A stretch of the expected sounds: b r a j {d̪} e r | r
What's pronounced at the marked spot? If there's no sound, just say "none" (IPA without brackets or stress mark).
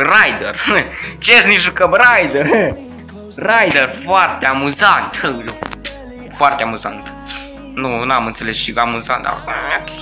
d̪